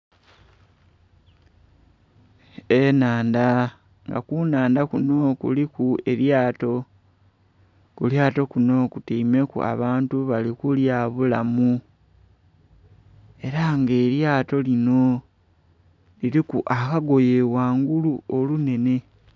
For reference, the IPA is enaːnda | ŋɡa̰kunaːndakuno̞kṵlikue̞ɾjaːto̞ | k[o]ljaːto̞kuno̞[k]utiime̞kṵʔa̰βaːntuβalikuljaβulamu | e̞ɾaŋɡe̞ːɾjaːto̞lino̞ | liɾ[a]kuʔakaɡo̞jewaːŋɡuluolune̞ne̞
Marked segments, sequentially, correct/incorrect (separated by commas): incorrect, correct, incorrect